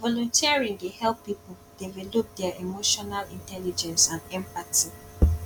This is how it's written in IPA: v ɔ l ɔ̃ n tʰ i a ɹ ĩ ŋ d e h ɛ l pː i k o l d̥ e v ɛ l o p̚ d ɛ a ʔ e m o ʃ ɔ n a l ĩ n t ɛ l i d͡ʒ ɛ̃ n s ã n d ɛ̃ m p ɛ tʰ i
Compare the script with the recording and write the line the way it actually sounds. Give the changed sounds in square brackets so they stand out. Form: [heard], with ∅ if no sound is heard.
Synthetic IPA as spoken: v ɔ l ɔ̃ n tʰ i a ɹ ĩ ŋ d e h ɛ l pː i [p] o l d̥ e v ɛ l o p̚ d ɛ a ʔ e m o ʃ ɔ n a l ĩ n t ɛ l i d͡ʒ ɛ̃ n s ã n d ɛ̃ m p [a] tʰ i